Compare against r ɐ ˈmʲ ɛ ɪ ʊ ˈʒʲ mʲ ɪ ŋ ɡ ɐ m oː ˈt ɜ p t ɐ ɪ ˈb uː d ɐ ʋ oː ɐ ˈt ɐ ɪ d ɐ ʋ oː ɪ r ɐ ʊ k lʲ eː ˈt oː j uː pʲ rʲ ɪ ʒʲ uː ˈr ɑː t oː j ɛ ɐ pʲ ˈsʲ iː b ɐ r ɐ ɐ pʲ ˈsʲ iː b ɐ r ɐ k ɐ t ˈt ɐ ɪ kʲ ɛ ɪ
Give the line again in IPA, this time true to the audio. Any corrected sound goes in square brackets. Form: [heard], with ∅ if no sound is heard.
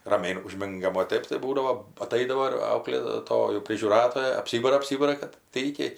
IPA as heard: r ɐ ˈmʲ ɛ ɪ ʊ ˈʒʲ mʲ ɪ ŋ ɡ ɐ m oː ˈt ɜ p t ɐ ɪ ˈb uː d ɐ ʋ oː ɐ ˈt ɐ ɪ d ɐ ʋ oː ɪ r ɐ ʊ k lʲ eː ˈt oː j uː pʲ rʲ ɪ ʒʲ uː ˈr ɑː t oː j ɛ ɐ pʲ ˈsʲ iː b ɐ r ɐ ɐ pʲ ˈsʲ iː b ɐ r ɐ k ɐ t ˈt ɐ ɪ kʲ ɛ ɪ

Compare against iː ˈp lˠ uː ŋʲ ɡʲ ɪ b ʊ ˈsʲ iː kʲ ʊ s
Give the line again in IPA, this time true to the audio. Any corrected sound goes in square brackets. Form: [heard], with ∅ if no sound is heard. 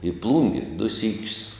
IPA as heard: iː ˈp lˠ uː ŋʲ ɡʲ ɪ [d] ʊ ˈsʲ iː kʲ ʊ s

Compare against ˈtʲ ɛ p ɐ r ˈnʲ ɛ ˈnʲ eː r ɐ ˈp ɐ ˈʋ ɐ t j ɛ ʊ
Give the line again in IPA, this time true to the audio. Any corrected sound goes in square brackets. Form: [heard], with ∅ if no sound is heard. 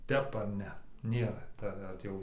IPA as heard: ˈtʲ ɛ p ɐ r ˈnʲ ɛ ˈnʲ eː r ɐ [ˈt] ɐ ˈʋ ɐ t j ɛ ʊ

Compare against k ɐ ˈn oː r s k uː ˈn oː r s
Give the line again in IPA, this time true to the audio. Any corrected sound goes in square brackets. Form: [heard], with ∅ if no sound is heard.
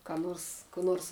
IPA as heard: k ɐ ˈn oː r s k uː ˈn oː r s

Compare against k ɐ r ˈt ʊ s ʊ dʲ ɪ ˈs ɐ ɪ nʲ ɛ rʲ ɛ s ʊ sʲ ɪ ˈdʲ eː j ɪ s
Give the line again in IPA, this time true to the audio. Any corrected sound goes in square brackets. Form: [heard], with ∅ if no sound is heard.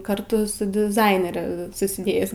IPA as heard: k ɐ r ˈt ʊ s ʊ dʲ ɪ [ˈz] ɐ ɪ nʲ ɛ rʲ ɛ s ʊ sʲ ɪ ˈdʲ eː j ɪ s

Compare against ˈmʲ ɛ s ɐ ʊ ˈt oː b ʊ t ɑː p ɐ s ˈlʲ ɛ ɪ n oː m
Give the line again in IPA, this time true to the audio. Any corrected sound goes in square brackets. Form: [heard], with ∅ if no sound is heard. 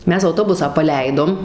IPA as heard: ˈmʲ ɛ s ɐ ʊ ˈt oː b ʊ [s] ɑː p ɐ [∅] ˈlʲ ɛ ɪ [d] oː m

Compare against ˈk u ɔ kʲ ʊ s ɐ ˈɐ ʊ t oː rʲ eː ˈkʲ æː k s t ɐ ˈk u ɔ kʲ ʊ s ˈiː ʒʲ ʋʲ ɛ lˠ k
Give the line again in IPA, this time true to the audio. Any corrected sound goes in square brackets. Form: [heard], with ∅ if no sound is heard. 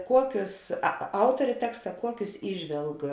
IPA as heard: ˈk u ɔ kʲ ʊ s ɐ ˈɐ ʊ t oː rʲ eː [ˈtʲ] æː k s t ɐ ˈk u ɔ kʲ ʊ s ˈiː ʒʲ ʋʲ ɛ lˠ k

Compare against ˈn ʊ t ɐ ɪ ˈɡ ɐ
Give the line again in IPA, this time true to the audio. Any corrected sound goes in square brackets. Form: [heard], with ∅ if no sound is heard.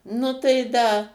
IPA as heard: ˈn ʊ t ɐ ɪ [ˈd] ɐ

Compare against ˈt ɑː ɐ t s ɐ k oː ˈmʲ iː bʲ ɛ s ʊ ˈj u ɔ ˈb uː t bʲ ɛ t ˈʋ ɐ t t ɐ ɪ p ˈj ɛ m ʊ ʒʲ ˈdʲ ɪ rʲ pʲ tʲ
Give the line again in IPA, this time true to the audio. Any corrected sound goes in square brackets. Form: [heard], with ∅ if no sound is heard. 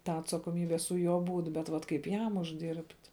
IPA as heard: ˈt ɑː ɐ t s ɐ k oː ˈmʲ iː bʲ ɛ s ʊ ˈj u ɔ ˈb uː t bʲ ɛ t ˈʋ ɐ t [k] ɐ ɪ p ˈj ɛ m ʊ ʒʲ ˈdʲ ɪ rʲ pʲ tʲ

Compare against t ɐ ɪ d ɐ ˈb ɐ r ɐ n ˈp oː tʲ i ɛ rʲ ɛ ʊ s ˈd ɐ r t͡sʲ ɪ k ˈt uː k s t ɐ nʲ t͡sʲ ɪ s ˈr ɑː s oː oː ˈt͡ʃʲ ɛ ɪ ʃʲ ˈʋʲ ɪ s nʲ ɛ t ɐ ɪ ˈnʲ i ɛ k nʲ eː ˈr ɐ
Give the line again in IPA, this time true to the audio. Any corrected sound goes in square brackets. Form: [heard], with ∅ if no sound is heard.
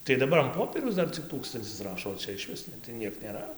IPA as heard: t ɐ ɪ d ɐ ˈb ɐ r ɐ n ˈp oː [pʲ] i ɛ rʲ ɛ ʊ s ˈd ɐ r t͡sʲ ɪ k ˈt uː k s t ɐ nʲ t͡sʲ ɪ s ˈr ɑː [ʃ] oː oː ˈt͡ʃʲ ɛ ɪ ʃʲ ˈʋʲ ɪ s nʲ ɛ t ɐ ɪ ˈnʲ i ɛ k nʲ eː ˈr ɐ

